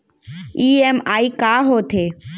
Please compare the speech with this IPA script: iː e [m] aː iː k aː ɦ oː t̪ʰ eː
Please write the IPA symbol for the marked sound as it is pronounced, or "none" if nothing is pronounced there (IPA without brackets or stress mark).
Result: m